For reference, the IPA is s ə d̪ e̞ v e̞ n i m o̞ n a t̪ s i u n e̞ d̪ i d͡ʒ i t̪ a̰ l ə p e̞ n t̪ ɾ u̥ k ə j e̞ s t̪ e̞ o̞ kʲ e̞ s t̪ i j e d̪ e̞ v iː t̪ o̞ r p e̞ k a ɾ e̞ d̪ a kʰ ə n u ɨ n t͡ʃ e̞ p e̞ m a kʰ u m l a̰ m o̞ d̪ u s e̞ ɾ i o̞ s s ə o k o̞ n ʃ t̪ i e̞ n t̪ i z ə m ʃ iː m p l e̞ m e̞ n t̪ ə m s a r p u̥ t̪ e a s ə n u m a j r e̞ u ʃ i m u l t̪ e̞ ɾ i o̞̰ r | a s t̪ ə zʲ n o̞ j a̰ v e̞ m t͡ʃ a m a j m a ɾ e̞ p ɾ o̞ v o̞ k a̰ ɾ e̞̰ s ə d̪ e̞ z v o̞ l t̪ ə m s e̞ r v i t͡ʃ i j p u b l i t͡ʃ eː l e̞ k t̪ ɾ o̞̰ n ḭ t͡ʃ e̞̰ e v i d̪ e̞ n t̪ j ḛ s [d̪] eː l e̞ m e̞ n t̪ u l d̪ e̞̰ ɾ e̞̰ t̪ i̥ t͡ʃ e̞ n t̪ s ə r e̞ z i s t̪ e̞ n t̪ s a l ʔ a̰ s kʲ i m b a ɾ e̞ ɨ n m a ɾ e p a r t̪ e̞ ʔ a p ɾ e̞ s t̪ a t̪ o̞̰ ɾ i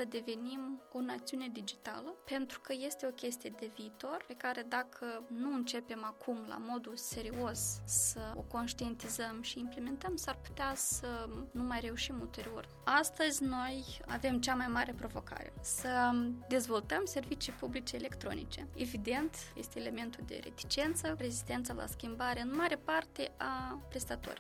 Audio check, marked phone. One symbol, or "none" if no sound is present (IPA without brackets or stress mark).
t̪